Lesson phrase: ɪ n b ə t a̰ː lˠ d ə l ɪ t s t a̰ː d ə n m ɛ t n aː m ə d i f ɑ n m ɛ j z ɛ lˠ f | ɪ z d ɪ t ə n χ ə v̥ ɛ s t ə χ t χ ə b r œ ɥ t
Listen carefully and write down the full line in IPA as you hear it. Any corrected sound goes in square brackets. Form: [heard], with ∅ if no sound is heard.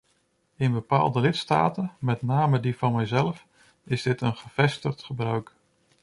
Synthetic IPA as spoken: ɪ n b ə [p] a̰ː lˠ d ə l ɪ t s t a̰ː [t] ə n m ɛ t n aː m ə d i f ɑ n m ɛ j z ɛ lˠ f | ɪ z d ɪ t ə n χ ə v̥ ɛ s t ə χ t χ ə b r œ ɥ [k]